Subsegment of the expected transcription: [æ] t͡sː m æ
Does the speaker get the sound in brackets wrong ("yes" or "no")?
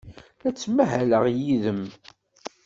no